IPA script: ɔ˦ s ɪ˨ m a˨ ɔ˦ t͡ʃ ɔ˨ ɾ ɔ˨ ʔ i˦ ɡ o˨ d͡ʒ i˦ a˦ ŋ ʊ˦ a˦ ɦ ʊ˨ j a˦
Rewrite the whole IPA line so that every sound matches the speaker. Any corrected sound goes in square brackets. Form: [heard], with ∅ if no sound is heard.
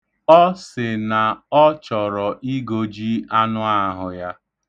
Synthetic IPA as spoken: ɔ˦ s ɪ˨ [n] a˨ ɔ˦ t͡ʃ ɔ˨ ɾ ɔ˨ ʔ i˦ ɡ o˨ d͡ʒ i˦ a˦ [n] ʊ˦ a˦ ɦ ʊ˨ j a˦